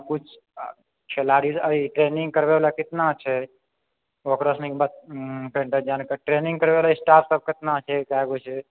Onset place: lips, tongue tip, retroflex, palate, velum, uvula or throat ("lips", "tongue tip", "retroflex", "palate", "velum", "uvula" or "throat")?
velum